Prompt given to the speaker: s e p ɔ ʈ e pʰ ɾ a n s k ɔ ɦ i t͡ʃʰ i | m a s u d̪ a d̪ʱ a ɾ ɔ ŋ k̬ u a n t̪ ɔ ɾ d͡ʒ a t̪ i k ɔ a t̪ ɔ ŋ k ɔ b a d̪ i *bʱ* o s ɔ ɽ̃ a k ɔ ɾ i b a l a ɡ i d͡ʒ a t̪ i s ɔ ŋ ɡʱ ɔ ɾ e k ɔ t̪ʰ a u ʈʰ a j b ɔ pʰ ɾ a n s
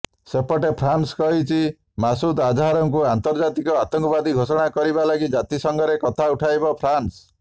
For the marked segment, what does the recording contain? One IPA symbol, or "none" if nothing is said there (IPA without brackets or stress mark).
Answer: ɡʱ